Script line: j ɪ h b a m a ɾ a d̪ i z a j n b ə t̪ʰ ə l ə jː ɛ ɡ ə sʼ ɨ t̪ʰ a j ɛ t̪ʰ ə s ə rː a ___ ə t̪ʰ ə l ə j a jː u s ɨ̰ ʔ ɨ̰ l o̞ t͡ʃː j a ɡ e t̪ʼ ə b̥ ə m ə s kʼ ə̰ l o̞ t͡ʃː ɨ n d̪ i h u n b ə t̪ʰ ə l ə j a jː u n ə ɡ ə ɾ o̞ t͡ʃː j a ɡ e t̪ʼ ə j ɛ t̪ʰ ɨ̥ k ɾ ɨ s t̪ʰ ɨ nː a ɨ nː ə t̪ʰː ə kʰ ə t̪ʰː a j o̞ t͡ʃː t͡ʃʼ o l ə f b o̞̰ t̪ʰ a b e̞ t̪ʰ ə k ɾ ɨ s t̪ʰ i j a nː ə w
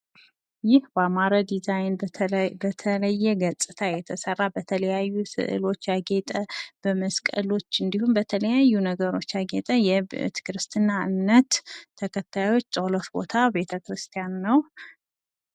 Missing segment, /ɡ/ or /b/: b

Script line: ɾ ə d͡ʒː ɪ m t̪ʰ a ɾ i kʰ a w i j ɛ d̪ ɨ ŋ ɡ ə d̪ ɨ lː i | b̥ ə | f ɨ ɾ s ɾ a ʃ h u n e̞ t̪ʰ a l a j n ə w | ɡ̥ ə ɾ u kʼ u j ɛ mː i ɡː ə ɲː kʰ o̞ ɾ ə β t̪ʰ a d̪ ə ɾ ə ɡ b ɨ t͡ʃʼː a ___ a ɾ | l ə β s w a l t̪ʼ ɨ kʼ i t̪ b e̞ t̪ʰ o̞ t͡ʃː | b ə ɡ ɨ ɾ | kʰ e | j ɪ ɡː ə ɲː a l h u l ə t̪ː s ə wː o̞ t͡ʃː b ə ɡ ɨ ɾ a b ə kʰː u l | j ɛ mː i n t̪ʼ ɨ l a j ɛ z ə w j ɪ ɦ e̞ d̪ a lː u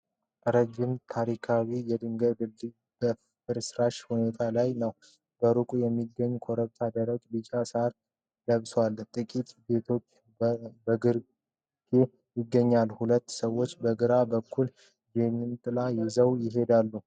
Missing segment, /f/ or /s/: s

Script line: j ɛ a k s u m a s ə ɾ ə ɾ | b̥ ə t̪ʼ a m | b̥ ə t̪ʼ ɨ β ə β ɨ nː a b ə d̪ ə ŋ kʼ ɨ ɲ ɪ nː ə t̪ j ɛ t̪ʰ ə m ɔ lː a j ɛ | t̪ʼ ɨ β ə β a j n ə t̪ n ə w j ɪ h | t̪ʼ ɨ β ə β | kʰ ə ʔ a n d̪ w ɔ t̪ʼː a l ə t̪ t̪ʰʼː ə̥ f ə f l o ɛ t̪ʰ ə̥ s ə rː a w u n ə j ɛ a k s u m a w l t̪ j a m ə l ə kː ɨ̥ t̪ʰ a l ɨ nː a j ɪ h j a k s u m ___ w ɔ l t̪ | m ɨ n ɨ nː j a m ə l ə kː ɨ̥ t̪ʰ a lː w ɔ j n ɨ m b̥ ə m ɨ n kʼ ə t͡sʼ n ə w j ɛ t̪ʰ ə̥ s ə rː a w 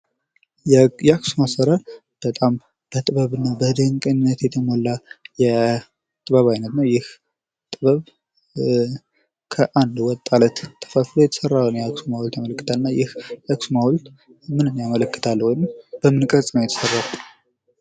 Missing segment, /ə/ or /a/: a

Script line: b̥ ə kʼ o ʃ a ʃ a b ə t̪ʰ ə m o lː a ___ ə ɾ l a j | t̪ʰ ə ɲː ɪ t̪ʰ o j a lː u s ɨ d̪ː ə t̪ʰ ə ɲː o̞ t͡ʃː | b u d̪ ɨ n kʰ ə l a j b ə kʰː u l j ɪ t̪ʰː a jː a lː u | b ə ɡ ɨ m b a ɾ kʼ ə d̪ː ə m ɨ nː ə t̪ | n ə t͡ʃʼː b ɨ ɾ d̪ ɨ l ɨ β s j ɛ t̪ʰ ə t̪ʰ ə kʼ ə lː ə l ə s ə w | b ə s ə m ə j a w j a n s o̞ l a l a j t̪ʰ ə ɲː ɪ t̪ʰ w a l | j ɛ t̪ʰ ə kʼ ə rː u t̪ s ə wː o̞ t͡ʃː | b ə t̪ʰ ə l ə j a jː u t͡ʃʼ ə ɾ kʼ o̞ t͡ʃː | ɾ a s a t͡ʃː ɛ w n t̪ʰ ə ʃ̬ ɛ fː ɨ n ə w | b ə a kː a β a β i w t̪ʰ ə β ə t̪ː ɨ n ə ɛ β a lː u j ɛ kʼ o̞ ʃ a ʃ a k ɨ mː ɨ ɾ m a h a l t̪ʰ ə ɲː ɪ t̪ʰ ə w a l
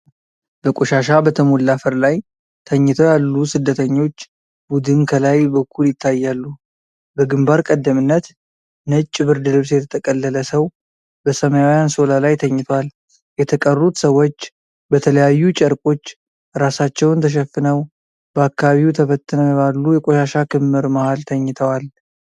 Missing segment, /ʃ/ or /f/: f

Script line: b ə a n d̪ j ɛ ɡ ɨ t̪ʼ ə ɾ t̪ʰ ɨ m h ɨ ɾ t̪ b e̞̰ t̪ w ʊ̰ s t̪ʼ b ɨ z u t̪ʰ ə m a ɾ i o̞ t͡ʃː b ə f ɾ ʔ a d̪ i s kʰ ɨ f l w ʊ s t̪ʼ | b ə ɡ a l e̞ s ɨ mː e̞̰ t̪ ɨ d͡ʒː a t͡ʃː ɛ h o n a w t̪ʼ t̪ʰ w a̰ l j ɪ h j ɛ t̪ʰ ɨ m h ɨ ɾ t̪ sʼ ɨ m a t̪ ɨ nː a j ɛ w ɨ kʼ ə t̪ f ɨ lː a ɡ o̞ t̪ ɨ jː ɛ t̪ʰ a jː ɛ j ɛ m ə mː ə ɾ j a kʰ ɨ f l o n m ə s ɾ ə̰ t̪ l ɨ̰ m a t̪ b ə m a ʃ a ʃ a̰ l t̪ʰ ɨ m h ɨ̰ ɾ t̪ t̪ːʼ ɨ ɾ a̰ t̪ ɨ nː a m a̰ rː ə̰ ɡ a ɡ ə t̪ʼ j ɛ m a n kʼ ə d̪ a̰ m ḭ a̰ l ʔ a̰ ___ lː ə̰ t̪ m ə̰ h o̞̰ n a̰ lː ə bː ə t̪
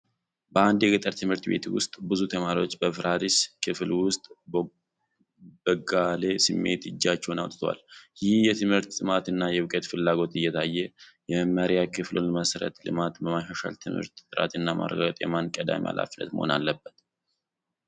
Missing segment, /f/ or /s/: f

